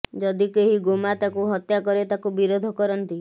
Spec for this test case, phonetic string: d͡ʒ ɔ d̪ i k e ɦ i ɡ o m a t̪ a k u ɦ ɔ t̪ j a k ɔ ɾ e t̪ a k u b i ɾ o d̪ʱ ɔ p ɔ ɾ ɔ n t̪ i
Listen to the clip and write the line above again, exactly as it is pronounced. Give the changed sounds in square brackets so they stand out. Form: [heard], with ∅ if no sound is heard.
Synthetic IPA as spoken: d͡ʒ ɔ d̪ i k e ɦ i ɡ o m a t̪ a k u ɦ ɔ t̪ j a k ɔ ɾ e t̪ a k u b i ɾ o d̪ʱ ɔ [k] ɔ ɾ ɔ n t̪ i